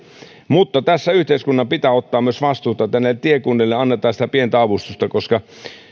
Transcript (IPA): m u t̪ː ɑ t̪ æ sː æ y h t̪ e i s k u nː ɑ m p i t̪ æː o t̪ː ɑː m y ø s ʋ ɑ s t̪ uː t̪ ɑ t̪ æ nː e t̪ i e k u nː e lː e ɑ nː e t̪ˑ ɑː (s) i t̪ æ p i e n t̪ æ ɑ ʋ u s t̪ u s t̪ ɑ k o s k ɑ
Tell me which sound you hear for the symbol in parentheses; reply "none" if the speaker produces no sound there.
s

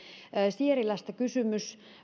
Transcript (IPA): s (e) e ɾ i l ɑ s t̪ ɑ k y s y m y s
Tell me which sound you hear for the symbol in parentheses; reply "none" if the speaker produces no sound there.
i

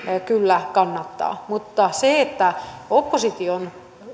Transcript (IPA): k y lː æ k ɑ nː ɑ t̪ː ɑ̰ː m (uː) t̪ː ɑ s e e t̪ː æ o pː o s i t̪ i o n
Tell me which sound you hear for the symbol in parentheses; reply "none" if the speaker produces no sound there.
u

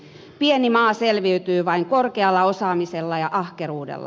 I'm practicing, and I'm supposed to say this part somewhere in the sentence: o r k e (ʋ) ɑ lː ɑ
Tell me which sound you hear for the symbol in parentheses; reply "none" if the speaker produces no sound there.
none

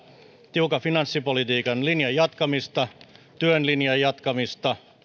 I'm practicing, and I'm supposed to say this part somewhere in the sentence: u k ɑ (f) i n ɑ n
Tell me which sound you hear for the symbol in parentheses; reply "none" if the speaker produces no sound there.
f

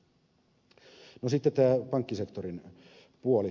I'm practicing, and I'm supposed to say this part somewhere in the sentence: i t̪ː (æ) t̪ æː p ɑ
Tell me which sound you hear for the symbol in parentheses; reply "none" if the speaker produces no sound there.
e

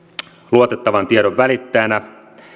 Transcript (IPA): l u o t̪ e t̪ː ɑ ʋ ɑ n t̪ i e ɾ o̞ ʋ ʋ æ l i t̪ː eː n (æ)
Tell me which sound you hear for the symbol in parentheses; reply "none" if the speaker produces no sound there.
æ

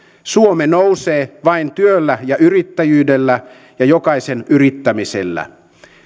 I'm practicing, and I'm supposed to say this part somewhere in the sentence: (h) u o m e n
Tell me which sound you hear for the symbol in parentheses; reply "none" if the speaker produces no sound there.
s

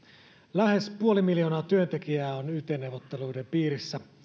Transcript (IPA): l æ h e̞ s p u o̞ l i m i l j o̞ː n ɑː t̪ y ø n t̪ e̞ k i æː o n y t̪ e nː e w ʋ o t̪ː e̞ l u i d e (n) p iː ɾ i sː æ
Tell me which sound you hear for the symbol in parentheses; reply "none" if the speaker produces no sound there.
m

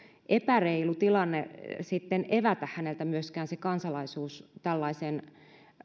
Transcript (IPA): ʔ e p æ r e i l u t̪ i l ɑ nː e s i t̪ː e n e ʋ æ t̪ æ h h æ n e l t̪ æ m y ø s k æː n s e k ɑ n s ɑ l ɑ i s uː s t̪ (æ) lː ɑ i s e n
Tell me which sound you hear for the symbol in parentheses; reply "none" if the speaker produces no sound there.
æ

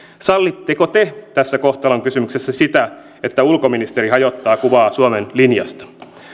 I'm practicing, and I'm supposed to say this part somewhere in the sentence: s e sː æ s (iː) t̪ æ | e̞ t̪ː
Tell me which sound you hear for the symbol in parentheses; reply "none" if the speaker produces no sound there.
i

